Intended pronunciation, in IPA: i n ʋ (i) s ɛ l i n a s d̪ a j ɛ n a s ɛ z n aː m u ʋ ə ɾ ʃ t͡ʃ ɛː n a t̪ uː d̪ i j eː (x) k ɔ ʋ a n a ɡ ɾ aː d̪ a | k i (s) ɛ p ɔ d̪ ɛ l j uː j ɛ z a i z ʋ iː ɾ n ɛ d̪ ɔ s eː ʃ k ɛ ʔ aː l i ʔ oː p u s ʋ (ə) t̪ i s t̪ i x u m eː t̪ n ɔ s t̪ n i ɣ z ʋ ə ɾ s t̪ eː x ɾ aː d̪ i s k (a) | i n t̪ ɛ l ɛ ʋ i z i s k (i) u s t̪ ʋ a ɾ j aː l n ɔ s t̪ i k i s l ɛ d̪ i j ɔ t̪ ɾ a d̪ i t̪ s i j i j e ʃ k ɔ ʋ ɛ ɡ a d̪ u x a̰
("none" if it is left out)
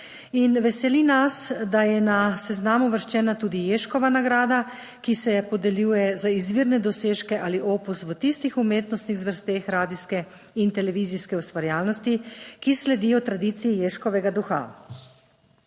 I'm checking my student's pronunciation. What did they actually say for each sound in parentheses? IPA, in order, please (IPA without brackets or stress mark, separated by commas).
ɛ, ʃ, s, ə, ɛ, ɛ